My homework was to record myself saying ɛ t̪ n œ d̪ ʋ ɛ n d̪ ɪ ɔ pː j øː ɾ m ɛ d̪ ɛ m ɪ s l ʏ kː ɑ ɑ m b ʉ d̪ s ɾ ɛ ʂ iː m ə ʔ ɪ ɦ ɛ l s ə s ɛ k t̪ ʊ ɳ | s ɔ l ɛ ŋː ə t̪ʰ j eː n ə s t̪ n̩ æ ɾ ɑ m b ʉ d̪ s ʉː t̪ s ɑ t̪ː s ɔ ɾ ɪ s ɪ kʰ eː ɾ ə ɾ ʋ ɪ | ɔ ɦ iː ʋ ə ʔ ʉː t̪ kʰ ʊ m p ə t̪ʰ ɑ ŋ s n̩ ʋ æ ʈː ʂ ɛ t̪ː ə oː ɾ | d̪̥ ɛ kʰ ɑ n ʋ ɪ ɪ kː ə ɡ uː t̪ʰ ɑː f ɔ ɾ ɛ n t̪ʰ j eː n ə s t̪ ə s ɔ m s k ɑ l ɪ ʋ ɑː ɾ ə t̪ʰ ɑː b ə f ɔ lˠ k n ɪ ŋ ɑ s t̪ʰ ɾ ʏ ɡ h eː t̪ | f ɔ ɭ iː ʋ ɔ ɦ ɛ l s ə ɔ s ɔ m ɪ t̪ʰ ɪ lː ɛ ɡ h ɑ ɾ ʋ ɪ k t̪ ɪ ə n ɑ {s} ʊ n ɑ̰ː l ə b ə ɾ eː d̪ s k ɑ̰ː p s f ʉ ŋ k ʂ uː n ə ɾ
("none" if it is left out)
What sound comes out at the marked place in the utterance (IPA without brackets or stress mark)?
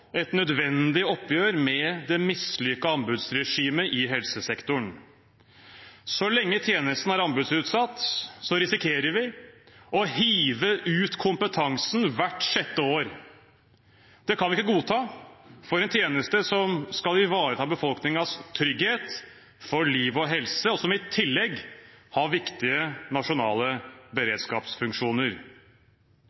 ʂ